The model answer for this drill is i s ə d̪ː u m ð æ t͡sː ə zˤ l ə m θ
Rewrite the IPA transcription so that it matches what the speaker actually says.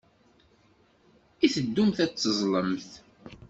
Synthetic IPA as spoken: i θ ə d̪ː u m θ æ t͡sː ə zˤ l ə m θ